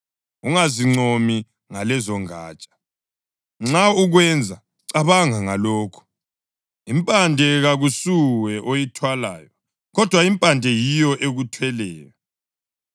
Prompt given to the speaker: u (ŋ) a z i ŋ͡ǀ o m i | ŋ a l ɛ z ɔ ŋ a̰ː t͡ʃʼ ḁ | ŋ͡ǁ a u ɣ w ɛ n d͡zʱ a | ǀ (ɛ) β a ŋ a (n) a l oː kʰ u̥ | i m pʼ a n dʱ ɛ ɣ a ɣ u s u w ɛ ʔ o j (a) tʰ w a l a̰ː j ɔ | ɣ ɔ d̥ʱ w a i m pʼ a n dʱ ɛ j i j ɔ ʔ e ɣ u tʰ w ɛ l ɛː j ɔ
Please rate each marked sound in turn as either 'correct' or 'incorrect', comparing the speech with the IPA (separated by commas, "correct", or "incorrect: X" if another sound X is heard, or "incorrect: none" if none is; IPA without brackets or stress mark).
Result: correct, incorrect: a, incorrect: ŋ, incorrect: i